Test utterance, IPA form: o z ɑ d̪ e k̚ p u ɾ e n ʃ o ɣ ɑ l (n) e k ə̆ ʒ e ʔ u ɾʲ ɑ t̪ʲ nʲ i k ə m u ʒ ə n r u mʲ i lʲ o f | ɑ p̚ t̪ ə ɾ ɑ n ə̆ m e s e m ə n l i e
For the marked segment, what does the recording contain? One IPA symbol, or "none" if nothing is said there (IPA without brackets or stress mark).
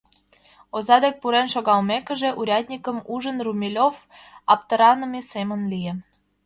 m